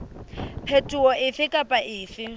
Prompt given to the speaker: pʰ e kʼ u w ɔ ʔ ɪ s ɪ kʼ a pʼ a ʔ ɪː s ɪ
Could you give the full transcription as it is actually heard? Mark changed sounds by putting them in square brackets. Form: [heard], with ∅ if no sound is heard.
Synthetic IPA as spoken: pʰ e [tʼ] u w ɔ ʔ ɪ [f] ɪ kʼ a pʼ a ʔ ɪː [f] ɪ